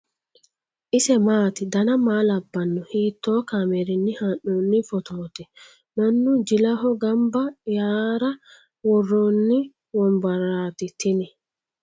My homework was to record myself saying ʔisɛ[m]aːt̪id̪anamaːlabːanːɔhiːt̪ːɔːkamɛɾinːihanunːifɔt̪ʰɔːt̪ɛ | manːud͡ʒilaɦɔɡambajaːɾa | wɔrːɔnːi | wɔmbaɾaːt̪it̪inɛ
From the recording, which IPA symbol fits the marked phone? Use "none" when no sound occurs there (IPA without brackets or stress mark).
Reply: m